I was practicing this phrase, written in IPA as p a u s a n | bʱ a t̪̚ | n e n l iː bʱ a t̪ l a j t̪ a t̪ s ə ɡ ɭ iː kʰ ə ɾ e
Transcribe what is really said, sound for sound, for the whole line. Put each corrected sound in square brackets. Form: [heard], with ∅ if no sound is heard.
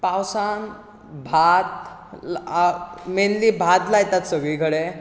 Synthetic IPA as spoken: p a [w] s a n | bʱ a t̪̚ | [m] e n l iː bʱ a t̪ l a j t̪ a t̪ s ə ɡ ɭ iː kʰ ə [ɽ] e